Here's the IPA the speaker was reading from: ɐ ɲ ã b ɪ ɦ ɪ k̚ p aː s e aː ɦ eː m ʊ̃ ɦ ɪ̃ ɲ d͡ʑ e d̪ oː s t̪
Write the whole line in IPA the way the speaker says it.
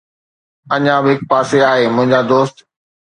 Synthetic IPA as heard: ɐ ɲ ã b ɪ ɦ ɪ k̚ p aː s e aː ɦ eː m ʊ̃ ɦ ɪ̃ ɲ d͡ʑ a d̪ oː s t̪

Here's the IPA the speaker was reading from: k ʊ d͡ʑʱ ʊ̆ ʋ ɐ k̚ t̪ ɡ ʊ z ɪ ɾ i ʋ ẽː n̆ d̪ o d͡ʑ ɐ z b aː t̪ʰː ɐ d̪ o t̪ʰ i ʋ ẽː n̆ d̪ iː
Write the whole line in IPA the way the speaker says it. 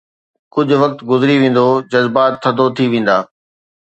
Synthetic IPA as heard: k ʊ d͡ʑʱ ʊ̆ ʋ ɐ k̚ t̪ ɡ ʊ z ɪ ɾ i ʋ ẽː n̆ d̪ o d͡ʑ ɐ z b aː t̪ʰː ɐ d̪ o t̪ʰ i ʋ ẽː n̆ d̪ aː

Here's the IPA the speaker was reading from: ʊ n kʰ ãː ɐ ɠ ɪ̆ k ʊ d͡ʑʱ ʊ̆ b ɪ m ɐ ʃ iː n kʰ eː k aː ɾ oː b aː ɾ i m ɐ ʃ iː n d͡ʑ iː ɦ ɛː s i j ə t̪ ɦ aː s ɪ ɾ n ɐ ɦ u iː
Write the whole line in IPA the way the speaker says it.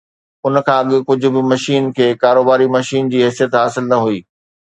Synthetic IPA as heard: ʊ n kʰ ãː ɐ ɠ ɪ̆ k ʊ d͡ʑʱ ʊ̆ b ɪ m ɐ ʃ iː n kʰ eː k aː ɾ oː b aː ɾ i m ɐ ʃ iː n d͡ʑ iː ɦ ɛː s i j ə t̪ ɦ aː s ɪ l n ɐ ɦ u iː

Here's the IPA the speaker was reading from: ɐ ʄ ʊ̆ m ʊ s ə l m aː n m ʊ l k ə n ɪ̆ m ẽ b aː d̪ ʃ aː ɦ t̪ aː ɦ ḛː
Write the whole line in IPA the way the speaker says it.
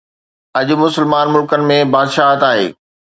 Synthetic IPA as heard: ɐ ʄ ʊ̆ m ʊ s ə l m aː n m ʊ l k ə n ɪ̆ m ẽ b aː d̪ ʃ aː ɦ t̪ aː ɦ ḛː

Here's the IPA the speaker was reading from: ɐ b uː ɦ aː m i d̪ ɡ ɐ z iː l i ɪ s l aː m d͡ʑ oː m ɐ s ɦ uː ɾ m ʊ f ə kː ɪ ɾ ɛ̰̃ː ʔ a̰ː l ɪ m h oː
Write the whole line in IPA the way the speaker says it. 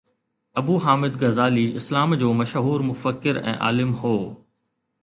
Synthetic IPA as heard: ɐ b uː ɦ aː m ɪ d̪ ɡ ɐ z aː l i ɪ s l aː m d͡ʑ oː m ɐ ʃ ɦ uː ɾ m ʊ f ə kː ɪ ɾ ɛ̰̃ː ʔ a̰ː l ɪ m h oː

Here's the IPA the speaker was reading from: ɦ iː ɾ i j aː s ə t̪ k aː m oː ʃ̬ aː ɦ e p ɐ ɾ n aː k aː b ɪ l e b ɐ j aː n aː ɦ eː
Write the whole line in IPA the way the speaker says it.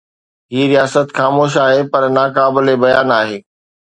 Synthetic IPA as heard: ɦ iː ɾ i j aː s ə t̪ x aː m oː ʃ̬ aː ɦ e p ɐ ɾ n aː k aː b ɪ l e b ɐ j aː n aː ɦ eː

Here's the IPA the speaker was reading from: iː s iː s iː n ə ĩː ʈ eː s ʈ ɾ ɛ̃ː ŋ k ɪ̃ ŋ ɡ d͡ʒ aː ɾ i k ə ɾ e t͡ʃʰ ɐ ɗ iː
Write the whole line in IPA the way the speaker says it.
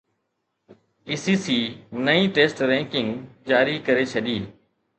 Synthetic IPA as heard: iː s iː s iː n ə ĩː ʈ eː s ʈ ɾ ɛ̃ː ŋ k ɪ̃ ŋ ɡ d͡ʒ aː ɾ i k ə ɾ e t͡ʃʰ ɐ ɗ iː

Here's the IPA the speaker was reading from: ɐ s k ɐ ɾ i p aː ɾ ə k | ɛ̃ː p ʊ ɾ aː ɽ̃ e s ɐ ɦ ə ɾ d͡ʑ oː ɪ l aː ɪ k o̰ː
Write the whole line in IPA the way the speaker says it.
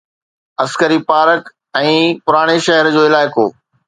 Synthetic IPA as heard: ɐ s k ə ɾ i p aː ɾ ə k | ɛ̃ː p ʊ ɾ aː ɽ̃ e ʃ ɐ ɦ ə ɾ d͡ʑ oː ɪ l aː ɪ k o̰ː

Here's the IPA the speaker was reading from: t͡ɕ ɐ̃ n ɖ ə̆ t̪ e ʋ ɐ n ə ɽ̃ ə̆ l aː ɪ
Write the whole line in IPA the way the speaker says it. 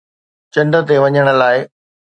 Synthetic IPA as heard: t͡ɕ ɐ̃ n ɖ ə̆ t̪ e ʋ ɐ ɲ ə ɽ̃ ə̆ l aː ɪ

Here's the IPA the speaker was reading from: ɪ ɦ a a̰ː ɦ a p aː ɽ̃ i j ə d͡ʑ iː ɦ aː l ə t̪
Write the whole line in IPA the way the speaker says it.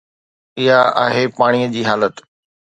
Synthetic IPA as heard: ɪ ɦ a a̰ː ɦ e p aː ɽ̃ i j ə d͡ʑ iː ɦ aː l ə t̪

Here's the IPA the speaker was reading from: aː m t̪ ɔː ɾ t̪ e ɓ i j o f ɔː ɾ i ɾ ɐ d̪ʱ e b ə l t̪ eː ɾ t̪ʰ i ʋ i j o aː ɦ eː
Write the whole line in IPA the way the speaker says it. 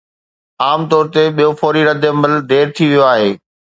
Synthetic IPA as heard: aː m t̪ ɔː ɾ t̪ e ɓ i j o f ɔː ɾ i ɾ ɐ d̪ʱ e m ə l d̪ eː ɾ t̪ʰ i ʋ i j o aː ɦ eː

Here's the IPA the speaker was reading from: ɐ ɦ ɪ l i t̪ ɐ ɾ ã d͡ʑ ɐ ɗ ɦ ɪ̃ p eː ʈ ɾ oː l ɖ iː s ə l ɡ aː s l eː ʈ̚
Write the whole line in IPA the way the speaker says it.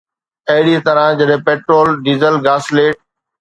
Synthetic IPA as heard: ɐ ɦ ɪ ɽ i t̪ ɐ ɾ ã d͡ʑ ɐ ɗ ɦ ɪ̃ p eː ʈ ɾ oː l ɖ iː z ə l ɡ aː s l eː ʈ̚

